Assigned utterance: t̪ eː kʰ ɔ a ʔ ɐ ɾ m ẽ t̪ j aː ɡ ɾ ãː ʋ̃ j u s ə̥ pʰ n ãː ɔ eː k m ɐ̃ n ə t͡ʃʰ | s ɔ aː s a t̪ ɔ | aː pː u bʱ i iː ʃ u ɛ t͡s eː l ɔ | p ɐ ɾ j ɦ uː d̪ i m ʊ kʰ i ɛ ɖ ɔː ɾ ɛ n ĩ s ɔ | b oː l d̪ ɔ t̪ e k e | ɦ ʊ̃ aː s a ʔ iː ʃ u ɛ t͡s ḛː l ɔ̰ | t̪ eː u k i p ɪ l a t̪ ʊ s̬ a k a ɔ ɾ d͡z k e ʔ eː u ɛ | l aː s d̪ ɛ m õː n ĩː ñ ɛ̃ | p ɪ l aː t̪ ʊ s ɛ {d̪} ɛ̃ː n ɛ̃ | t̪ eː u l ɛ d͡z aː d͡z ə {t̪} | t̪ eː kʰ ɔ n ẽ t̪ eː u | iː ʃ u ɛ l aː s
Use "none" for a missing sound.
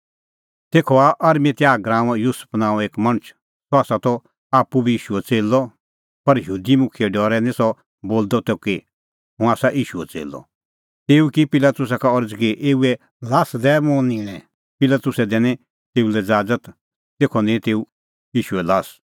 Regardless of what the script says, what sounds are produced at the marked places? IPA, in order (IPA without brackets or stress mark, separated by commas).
d̪, t̪